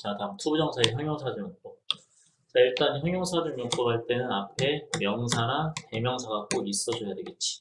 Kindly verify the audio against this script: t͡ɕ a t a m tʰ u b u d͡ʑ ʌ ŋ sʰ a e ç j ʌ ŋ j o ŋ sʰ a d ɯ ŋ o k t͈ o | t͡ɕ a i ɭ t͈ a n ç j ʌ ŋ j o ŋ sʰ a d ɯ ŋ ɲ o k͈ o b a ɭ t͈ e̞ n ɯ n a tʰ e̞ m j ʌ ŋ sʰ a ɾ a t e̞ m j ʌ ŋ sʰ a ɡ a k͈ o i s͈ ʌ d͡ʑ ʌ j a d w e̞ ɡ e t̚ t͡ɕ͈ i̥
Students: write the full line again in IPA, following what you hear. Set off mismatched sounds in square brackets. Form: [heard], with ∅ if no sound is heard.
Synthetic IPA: t͡ɕ a t a m tʰ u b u d͡ʑ ʌ ŋ sʰ a e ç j ʌ ŋ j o ŋ sʰ a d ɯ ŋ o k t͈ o | t͡ɕ a i ɭ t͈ a n ç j ʌ ŋ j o ŋ sʰ a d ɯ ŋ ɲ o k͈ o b a ɭ t͈ e̞ n ɯ n a [pʰ] e̞ m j ʌ ŋ sʰ a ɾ a t e̞ m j ʌ ŋ sʰ a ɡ a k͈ o i s͈ ʌ d͡ʑ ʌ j a d w e̞ ɡ e t̚ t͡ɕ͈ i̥